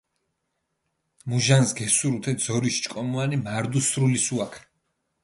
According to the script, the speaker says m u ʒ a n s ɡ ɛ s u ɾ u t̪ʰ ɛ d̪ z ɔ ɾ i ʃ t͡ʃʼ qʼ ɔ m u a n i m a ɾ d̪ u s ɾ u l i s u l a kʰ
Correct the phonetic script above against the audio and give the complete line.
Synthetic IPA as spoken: m u ʒ a n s ɡ ɛ s u ɾ u t̪ʰ ɛ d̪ z ɔ ɾ i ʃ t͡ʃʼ kʼ ɔ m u a n i m a ɾ d̪ u s ɾ u l i s u a kʰ